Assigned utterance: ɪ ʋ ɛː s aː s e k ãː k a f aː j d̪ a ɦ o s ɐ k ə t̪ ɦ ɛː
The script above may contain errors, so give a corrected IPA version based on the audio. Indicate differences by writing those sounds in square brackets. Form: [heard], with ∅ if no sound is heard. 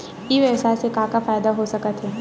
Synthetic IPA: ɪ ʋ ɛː s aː s e k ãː k a f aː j d̪ a ɦ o s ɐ k ə t̪ ɦ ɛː